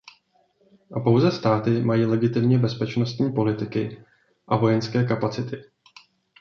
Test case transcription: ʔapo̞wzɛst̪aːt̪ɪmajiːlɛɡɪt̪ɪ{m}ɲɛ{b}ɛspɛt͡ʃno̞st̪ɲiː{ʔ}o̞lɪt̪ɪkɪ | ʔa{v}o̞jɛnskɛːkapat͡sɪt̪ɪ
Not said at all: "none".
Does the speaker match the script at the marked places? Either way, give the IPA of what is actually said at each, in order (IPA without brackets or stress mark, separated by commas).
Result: m, b, p, v